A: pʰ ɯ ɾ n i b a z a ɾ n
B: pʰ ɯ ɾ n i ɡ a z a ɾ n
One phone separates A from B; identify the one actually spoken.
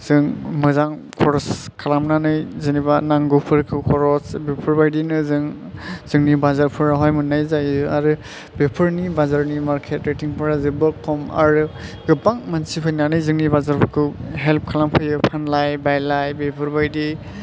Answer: A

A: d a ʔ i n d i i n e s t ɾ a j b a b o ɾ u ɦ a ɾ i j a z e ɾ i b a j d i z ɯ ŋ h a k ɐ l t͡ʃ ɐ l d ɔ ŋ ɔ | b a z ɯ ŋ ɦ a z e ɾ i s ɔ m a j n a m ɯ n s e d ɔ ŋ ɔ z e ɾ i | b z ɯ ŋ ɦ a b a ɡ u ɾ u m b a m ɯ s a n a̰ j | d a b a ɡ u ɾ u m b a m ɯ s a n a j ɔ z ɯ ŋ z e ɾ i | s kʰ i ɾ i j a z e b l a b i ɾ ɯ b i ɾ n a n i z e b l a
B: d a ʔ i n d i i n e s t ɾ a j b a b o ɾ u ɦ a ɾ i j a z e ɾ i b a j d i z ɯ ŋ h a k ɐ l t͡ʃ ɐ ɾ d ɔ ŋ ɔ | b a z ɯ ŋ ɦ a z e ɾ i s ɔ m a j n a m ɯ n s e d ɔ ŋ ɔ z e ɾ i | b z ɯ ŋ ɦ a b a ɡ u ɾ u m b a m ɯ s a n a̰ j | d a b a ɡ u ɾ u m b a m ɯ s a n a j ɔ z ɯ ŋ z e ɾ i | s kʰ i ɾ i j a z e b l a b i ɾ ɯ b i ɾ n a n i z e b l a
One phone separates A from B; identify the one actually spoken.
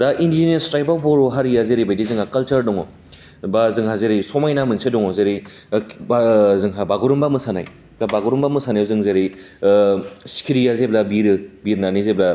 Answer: B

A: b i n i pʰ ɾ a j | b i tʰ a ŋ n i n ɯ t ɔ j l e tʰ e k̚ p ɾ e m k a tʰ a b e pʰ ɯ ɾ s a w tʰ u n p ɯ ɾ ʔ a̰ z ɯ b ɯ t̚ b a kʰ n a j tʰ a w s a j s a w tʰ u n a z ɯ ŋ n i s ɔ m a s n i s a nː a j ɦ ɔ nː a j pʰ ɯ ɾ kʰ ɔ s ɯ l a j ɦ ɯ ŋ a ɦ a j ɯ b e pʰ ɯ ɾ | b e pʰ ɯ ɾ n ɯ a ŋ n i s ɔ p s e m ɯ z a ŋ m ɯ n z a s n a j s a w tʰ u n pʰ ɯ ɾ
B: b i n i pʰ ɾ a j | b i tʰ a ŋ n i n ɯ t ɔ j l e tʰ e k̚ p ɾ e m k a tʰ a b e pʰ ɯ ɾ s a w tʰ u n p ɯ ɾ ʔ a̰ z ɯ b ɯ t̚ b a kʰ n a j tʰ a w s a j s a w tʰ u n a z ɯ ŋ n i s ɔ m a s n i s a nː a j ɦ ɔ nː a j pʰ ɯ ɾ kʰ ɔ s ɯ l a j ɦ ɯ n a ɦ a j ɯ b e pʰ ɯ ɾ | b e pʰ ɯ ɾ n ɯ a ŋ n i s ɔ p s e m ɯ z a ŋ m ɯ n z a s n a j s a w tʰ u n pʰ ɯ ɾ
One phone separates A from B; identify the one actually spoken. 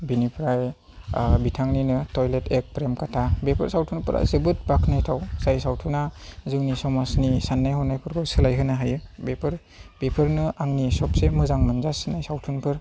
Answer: B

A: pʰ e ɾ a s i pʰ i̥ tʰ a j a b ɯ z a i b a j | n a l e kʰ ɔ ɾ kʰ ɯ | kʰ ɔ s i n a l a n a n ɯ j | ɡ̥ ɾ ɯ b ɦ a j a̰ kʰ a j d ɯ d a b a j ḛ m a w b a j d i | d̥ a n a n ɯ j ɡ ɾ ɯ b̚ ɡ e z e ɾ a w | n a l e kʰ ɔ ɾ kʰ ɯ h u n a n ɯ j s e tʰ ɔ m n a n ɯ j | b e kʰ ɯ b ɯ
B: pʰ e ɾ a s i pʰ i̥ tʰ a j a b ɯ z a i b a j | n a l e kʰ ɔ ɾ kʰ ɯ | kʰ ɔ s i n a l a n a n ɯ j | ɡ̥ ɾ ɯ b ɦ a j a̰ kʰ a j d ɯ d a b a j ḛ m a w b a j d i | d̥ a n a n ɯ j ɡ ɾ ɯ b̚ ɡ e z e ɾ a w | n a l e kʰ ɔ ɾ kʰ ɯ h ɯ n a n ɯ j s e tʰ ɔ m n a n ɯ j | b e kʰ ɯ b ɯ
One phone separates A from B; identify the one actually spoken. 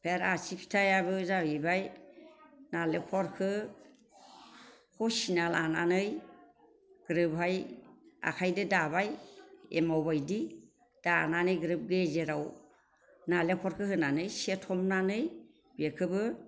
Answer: B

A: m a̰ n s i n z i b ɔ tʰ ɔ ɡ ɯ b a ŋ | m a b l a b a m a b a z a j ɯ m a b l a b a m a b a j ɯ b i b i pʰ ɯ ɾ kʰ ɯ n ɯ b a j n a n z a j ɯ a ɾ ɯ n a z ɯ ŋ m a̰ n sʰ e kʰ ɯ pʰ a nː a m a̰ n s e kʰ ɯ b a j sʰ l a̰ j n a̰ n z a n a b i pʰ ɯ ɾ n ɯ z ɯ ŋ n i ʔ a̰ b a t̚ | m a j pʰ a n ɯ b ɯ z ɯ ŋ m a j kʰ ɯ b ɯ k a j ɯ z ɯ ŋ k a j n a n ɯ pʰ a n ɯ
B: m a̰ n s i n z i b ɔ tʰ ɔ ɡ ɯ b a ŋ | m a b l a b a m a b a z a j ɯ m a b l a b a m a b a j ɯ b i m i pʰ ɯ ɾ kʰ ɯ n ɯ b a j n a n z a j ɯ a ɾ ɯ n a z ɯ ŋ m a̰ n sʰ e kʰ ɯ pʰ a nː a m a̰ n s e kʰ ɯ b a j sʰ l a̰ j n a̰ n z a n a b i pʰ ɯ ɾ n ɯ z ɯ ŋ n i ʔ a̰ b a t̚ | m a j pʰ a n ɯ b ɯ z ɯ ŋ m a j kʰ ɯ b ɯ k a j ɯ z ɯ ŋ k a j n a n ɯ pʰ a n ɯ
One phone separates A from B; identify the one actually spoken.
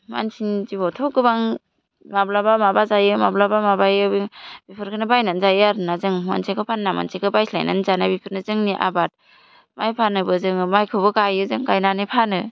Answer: A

